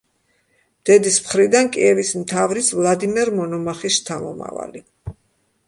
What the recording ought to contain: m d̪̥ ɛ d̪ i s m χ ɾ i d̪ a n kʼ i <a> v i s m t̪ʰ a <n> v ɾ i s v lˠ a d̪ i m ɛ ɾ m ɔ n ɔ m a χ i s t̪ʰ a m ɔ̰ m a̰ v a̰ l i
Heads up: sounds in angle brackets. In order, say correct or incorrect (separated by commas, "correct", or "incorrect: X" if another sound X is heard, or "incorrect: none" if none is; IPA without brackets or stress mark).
incorrect: ɛ, incorrect: none